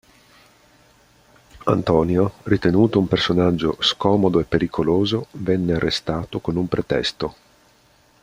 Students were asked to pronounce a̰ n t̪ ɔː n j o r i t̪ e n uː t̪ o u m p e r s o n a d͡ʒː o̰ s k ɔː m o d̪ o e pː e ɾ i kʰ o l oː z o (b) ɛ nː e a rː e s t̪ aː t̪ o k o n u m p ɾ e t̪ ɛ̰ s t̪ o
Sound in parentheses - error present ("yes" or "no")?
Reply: yes